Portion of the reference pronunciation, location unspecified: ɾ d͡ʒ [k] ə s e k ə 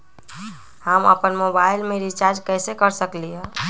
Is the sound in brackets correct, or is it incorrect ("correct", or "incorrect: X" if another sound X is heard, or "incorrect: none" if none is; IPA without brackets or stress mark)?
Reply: correct